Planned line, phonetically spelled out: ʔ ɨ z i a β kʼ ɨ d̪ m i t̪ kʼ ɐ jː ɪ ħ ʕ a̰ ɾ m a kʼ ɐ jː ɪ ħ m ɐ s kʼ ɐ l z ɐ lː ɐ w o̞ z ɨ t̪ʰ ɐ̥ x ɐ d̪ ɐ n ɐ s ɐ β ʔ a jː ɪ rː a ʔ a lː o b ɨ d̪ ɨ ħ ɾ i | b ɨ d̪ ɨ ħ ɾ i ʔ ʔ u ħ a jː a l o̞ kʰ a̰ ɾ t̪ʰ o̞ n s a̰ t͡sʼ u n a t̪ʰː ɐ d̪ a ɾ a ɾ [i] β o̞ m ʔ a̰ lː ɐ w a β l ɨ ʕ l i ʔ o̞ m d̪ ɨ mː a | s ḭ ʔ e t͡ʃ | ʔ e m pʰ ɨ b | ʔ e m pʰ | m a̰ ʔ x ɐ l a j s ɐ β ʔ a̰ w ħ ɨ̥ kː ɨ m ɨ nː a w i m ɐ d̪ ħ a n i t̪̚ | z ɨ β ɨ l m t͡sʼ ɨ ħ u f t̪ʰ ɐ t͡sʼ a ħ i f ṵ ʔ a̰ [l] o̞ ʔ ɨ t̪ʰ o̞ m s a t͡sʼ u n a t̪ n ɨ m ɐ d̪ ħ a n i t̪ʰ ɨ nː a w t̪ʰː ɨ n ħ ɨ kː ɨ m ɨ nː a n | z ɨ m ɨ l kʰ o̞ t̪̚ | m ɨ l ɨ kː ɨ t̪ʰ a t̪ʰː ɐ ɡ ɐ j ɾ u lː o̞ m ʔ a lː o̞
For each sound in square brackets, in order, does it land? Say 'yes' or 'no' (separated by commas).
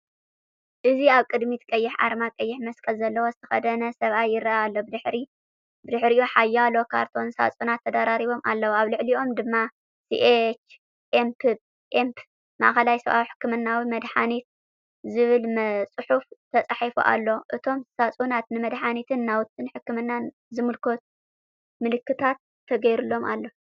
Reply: yes, no